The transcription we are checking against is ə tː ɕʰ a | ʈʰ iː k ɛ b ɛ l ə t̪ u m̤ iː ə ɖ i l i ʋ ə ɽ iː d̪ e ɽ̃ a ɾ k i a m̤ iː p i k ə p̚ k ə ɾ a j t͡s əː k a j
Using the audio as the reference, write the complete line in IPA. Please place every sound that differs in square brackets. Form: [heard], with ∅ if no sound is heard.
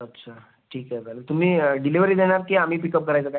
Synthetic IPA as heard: ə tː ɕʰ a | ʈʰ iː k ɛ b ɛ l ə t̪ u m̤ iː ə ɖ i l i ʋ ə [ɾ] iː d̪ e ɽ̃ a ɾ k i a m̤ iː p i k ə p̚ k ə ɾ a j t͡s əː k a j